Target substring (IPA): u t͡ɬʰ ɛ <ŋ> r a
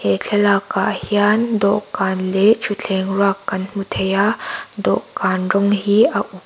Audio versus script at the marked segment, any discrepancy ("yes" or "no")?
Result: no